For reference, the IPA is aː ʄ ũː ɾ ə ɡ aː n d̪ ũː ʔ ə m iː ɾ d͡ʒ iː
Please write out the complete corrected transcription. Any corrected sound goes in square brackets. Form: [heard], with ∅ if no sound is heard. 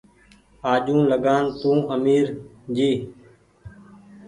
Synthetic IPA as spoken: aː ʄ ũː [l] ə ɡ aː n [t̪] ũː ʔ ə m iː ɾ d͡ʒ iː